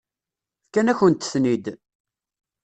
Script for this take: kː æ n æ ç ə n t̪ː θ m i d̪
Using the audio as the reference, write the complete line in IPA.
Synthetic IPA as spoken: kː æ n æ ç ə n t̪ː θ n i d̪